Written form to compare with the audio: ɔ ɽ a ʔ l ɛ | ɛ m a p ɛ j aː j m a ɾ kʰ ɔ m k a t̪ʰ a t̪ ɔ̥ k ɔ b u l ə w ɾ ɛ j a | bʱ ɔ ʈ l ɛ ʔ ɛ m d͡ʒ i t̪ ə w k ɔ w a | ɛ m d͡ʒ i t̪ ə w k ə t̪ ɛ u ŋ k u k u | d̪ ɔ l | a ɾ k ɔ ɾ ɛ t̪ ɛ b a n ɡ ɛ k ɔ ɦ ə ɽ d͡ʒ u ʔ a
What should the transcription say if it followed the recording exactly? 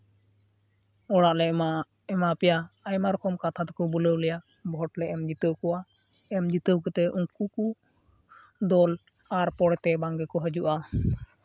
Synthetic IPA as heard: ɔ ɽ a ʔ l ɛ | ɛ m a p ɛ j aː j m a ɾ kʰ ɔ m k a t̪ʰ a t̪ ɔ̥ k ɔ b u l ə w l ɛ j a | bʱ ɔ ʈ l ɛ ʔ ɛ m d͡ʒ i t̪ ə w k ɔ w a | ɛ m d͡ʒ i t̪ ə w k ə t̪ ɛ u ŋ k u k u | d̪ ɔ l | a ɾ p ɔ ɽ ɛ t̪ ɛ b a ŋ ɡ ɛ k ɔ ɦ ə d͡ʒ u ʔ a

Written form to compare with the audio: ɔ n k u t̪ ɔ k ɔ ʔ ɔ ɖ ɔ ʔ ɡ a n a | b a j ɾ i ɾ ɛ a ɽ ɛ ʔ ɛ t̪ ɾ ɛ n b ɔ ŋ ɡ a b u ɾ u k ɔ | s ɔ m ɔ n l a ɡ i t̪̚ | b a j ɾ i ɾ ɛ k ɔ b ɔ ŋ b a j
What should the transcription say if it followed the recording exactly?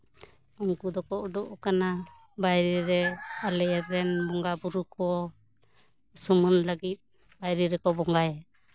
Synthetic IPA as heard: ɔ ŋ k u d̪ ɔ k ɔ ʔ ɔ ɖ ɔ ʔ k a n a | b a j ɾ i ɾ ɛ a l ɛ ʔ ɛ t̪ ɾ ɛ n b ɔ ŋ ɡ a b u ɾ u k ɔ | s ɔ m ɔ n l a ɡ i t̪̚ | b a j ɾ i ɾ ɛ k ɔ b ɔ ŋ ɡ a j

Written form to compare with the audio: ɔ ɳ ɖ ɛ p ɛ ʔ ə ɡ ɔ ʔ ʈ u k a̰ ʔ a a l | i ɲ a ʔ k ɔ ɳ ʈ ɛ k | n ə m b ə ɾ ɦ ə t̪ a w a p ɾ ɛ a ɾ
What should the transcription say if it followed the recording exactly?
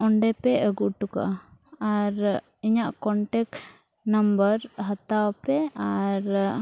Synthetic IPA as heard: ɔ ɳ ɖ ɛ p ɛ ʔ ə ɡ u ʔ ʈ u k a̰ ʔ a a ɾ | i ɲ a ʔ k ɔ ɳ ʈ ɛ k | n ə m b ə ɾ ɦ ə t̪ a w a p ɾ ɛ a ɾ

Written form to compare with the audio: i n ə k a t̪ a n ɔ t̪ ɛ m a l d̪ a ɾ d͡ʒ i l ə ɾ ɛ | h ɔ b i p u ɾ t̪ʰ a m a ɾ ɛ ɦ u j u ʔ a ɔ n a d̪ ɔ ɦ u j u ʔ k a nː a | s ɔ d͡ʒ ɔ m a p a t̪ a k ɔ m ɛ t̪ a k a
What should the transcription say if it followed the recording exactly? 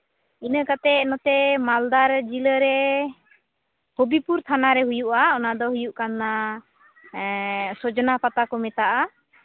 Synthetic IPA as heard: i n ə k a t̪ ɛ n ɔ t̪ ɛ m a l d̪ a ɾ d͡ʒ i l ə ɾ ɛ | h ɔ b i p u ɾ t̪ʰ a n a ɾ ɛ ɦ u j u ʔ a ɔ n a d̪ ɔ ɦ u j u ʔ k a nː a | s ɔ d͡ʒ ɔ n a p a t̪ a k ɔ m ɛ t̪ a ʔ a

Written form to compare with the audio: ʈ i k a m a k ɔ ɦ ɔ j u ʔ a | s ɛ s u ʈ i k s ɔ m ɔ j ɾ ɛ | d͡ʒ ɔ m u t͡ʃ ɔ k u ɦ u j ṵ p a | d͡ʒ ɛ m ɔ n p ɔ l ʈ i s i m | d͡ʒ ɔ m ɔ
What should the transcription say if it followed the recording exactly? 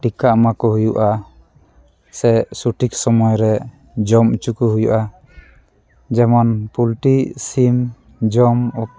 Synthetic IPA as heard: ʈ i k a m a k ɔ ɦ u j u ʔ a | s ɛ s u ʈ i k s ɔ m ɔ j ɾ ɛ | d͡ʒ ɔ m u t͡ʃ u k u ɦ u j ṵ ʔ a | d͡ʒ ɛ m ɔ n p u l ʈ i s i m | d͡ʒ ɔ m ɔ

